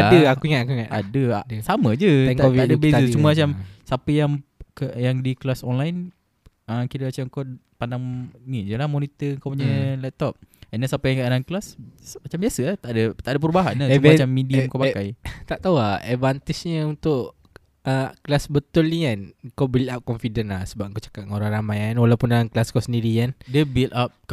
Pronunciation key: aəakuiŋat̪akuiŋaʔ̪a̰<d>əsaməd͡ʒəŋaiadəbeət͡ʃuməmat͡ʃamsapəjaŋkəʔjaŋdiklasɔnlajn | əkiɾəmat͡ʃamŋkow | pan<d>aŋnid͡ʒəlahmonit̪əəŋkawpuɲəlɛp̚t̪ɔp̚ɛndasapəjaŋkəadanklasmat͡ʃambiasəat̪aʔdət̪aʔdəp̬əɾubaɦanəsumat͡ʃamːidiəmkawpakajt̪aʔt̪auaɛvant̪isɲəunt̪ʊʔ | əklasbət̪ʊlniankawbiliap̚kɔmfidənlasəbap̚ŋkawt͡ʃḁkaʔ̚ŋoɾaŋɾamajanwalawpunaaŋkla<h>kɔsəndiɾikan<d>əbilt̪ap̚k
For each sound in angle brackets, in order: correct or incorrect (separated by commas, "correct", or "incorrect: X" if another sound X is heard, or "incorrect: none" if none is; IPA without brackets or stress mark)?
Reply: correct, correct, incorrect: s, correct